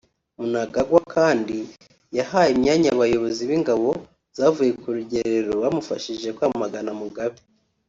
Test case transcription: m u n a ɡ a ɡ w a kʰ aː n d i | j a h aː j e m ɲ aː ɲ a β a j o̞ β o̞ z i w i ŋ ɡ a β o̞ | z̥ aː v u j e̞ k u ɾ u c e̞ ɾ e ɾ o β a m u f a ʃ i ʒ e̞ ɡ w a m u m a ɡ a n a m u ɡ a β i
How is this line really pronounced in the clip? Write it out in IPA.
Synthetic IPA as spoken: m u n a ɡ a ɡ w a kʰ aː n d i | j a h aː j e m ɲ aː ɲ a β a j o̞ β o̞ z i β i ŋ ɡ a β o̞ | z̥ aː v u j e̞ k u ɾ u ɟ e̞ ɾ e ɾ o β a m u f a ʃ i ʒ e̞ k w a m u m a ɡ a n a m u ɡ a β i

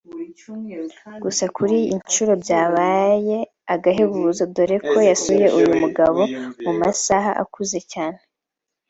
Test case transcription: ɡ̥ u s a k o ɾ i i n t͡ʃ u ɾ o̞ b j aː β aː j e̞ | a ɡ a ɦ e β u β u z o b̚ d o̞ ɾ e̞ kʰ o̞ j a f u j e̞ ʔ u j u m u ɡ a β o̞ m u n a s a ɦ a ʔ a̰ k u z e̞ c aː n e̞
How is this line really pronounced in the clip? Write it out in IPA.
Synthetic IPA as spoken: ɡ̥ u s a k u ɾ i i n t͡ʃ u ɾ o̞ b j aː β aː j e̞ | a ɡ a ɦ e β u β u z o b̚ d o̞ ɾ e̞ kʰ o̞ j a s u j e̞ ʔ u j u m u ɡ a β o̞ m u m a s a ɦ a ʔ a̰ k u z e̞ c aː n e̞

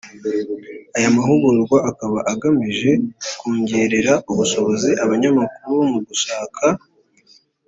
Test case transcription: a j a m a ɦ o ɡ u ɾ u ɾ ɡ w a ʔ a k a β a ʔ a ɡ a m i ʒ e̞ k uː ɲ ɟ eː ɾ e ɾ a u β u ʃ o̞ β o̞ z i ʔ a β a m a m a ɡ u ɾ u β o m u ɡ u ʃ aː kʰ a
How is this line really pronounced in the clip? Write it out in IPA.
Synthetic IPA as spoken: a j a m a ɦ u ɡ u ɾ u ɾ ɡ w a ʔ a k a β a ʔ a ɡ a m i ʒ e̞ k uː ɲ ɟ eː ɾ e ɾ a u β u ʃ o̞ β o̞ z i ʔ a β a ɲ a m a k u ɾ u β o m u ɡ u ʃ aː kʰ a

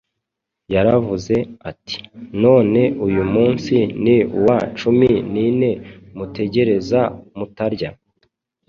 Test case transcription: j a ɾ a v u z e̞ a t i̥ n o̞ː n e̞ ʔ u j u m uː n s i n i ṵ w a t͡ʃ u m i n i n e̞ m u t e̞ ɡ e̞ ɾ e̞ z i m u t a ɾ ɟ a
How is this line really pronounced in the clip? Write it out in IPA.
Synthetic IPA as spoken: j a ɾ a v u z e̞ a t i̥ n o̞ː n e̞ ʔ u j u m uː n s i n i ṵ w a t͡ʃ u m i n i n e̞ m u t e̞ ɟ e̞ ɾ e̞ z a m u t a ɾ ɟ a

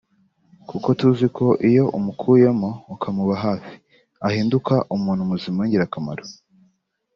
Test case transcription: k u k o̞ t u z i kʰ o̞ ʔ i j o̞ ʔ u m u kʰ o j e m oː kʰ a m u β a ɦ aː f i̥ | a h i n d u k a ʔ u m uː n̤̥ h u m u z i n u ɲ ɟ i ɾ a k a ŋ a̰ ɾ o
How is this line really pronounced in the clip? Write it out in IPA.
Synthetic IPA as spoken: k u k o̞ t u z i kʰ o̞ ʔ i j o̞ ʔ u m u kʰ u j e m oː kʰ a m u β a ɦ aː f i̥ | a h iː n d u k a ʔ u m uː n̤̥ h u m u z i m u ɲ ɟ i ɾ a k a m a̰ ɾ o

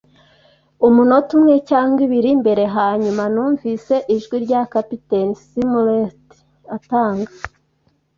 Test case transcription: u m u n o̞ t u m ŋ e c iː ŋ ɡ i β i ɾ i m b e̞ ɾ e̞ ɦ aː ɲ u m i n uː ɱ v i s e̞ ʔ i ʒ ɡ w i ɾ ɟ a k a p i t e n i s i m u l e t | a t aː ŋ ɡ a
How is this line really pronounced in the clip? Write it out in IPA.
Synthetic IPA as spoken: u m u n o̞ t u m ŋ e c aː ŋ ɡ i β i ɾ i m b e̞ ɾ e̞ ɦ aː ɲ u m a n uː ɱ v i s e̞ ʔ i ʒ ɡ w i ɾ ɟ a k a p i t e n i s i m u l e t | a t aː ŋ ɡ a

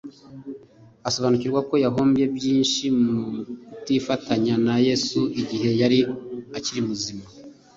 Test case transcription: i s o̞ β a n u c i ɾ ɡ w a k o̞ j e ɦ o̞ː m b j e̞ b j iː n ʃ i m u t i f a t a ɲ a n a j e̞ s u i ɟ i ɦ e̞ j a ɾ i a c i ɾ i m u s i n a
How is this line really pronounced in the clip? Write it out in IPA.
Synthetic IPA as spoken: a s o̞ β a n u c i ɾ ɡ w a k o̞ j a ɦ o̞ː m b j e̞ b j iː n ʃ i m u t i f a t a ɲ a n a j e̞ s u i ɟ i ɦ e̞ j a ɾ i a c i ɾ i m u z i m a

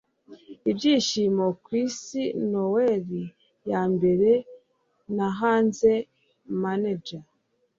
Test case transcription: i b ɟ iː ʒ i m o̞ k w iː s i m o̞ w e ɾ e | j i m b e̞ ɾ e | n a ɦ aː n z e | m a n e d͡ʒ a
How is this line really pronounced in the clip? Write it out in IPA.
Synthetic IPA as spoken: i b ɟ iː ʃ i m o̞ k w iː s i n o̞ w e ɾ i | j a m b e̞ ɾ e | n a ɦ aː n z e | m a n e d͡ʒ a

